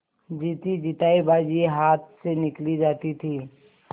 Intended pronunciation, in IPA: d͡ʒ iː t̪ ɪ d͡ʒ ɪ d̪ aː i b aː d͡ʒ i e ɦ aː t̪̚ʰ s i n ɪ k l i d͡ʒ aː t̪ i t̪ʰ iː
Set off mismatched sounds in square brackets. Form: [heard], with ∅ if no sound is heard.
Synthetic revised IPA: d͡ʒ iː t̪ [i] d͡ʒ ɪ [t̪] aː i b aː d͡ʒ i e ɦ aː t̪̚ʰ s [e] n ɪ k l i d͡ʒ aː t̪ i t̪ʰ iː